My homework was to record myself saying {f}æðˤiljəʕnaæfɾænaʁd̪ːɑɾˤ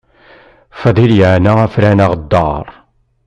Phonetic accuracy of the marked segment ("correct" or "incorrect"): correct